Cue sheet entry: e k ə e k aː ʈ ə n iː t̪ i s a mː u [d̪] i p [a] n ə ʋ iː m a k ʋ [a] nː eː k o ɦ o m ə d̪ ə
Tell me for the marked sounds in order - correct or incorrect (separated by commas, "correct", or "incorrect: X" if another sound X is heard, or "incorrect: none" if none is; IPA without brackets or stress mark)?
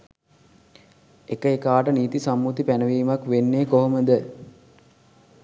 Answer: incorrect: t̪, incorrect: æ, incorrect: e